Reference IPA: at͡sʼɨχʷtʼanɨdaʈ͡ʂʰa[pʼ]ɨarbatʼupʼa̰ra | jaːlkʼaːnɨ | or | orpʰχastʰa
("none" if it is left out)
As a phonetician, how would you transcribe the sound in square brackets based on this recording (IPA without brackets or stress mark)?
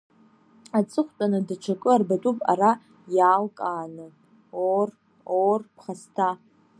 kʼ